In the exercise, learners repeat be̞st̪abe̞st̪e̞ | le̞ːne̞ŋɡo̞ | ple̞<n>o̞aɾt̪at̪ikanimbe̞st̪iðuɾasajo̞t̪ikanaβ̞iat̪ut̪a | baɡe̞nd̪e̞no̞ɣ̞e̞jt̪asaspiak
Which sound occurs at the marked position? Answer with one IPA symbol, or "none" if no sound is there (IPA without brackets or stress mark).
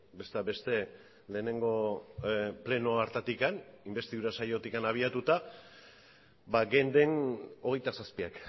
n